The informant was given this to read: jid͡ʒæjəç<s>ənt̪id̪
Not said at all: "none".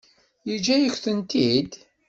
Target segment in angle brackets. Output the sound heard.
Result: θ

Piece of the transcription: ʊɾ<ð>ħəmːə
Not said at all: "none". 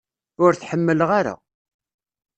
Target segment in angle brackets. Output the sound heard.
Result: θ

